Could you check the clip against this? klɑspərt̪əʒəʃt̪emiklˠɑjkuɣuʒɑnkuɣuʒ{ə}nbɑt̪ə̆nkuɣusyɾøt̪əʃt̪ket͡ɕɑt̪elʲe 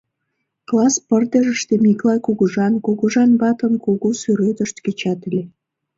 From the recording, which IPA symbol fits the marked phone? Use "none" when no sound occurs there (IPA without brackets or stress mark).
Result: ɑ